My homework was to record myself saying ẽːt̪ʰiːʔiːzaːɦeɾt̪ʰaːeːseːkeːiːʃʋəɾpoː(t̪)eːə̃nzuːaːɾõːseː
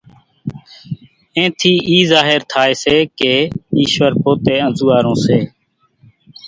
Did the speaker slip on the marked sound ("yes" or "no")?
no